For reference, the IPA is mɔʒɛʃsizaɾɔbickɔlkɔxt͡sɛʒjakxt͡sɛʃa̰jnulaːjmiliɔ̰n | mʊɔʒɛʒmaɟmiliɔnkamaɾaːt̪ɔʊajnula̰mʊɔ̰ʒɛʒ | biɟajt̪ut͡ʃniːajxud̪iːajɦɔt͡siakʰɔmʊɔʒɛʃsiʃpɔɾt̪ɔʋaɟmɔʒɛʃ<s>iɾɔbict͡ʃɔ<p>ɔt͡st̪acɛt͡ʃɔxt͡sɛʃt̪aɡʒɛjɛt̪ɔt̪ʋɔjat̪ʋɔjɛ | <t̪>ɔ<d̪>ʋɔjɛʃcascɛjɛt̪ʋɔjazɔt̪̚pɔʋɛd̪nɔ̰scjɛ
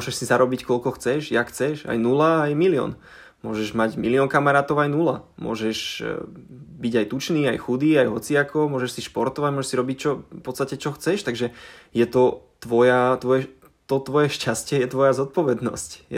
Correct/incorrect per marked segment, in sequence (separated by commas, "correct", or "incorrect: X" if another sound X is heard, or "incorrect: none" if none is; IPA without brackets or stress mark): correct, correct, correct, incorrect: t̪